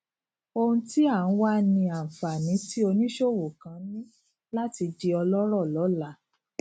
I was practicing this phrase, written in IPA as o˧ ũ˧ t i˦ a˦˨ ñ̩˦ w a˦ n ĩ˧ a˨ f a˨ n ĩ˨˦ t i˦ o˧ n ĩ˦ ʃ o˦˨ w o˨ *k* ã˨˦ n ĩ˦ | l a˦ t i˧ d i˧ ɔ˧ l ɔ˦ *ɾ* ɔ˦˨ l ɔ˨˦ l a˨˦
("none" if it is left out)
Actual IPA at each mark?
k, ɾ

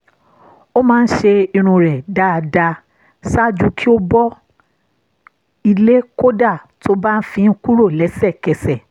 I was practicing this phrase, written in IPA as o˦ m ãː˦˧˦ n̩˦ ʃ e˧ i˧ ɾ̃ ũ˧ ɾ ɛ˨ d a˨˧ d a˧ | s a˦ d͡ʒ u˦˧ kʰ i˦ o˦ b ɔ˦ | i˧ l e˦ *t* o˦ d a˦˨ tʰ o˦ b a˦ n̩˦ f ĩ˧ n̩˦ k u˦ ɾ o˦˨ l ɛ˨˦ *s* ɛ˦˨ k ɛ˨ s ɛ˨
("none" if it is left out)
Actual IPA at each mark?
k, s

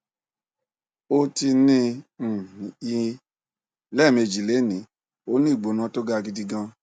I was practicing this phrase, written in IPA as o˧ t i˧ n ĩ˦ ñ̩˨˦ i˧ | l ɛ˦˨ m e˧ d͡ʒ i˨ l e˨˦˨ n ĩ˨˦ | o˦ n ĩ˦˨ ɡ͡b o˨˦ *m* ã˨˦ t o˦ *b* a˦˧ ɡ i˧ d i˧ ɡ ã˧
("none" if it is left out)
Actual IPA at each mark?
n, ɡ

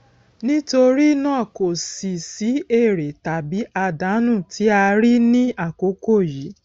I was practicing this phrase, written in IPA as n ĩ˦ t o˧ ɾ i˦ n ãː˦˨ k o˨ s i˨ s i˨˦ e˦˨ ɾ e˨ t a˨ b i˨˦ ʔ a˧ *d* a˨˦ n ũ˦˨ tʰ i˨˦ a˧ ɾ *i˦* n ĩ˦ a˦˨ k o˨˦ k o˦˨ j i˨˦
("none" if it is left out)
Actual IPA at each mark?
d, i˦

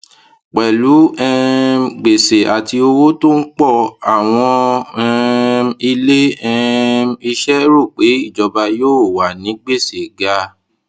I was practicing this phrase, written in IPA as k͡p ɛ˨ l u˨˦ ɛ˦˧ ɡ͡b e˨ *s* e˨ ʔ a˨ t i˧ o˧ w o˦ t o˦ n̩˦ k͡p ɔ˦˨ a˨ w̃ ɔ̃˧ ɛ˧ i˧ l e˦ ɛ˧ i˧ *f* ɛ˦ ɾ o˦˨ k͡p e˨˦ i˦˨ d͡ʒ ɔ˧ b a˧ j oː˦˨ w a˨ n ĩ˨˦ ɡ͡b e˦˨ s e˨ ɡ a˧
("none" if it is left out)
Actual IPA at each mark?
s, ʃ

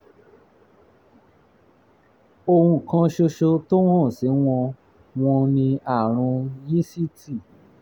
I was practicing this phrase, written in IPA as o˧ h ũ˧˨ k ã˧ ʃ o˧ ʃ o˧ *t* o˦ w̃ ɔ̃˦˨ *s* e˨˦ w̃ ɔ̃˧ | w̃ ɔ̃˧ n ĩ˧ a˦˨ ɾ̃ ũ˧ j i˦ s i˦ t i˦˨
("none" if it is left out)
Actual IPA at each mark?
t, s

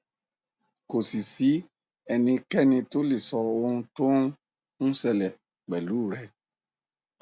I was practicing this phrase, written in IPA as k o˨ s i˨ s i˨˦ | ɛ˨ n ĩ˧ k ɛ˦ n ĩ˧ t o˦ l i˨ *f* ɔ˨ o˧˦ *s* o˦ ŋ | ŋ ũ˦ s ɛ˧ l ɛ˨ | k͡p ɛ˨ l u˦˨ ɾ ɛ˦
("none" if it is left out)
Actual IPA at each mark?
s, t

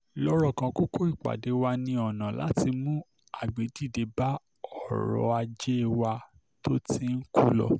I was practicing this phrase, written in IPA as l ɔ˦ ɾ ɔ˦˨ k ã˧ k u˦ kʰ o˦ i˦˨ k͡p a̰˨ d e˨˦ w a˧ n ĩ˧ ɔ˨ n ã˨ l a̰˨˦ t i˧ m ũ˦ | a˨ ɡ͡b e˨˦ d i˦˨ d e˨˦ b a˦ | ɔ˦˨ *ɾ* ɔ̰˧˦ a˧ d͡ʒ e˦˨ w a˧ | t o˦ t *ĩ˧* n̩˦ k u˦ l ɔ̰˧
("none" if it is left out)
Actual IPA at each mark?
ɾ, i˧

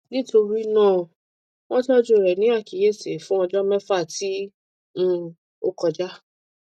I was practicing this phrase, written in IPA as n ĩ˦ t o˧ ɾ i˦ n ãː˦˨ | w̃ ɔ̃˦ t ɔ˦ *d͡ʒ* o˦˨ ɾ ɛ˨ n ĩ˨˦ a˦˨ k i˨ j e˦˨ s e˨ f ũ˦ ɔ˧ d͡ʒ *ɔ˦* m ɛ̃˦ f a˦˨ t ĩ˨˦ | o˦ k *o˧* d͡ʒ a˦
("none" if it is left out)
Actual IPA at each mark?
d͡ʒ, ɔ˦, ɔ˧

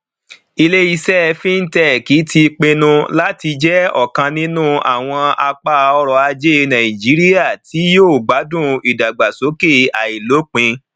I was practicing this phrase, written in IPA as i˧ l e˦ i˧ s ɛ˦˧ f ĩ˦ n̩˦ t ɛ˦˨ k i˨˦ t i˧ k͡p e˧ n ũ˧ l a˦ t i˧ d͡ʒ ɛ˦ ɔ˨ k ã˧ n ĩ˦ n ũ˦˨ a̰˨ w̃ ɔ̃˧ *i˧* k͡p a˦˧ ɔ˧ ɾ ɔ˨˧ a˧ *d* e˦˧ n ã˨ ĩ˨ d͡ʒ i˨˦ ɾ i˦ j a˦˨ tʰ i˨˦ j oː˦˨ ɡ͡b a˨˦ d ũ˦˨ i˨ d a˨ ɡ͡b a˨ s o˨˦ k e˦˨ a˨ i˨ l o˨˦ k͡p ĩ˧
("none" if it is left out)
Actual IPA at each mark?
a˧, d͡ʒ

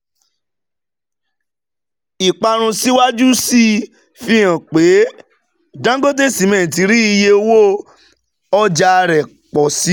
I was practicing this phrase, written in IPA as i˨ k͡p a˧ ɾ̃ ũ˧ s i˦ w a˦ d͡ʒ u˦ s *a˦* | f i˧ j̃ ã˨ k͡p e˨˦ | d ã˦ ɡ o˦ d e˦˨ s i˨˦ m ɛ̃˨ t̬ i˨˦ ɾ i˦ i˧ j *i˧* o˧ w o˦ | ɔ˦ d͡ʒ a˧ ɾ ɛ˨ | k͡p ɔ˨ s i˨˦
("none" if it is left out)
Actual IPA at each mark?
i˦, e˧

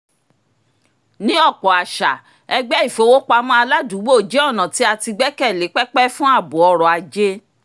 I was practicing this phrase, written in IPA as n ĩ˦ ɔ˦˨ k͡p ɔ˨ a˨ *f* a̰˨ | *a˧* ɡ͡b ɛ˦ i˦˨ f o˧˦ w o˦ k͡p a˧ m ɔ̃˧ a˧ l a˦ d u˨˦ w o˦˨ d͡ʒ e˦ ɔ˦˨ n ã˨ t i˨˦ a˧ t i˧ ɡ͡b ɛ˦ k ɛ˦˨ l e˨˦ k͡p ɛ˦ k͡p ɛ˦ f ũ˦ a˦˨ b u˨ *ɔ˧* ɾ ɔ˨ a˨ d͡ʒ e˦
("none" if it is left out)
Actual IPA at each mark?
ʃ, ɛ˧, ɔ˧

